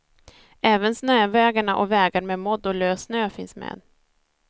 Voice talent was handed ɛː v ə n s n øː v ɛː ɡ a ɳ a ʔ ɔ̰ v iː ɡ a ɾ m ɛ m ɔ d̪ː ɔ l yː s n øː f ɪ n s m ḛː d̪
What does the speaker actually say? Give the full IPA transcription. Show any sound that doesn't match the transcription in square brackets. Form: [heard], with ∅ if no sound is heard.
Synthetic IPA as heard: ɛː v ə n s n øː v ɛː ɡ a ɳ a ʔ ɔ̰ v [ɛː] ɡ a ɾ m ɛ m ɔ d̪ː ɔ l [øː] s n øː f ɪ n s m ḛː d̪